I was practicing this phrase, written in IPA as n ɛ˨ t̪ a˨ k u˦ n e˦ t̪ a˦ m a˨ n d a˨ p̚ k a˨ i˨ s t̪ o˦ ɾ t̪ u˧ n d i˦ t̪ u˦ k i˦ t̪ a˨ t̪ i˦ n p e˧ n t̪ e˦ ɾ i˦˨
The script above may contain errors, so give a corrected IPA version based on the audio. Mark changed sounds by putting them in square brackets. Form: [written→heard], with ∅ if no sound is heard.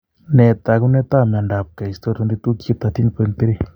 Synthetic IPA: n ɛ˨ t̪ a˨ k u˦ n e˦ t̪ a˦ m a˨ n d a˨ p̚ k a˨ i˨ s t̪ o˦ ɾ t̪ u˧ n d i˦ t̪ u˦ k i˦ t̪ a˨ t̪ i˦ n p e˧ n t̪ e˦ ɾ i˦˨